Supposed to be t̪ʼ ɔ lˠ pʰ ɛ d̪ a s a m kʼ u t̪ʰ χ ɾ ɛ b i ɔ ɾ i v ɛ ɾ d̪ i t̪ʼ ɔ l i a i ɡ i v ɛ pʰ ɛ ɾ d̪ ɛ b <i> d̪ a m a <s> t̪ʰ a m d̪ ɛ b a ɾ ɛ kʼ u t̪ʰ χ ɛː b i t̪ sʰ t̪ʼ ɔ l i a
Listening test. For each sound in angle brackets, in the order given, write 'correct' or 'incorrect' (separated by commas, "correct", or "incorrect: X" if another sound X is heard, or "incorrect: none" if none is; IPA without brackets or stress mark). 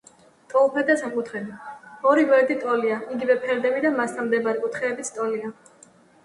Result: correct, correct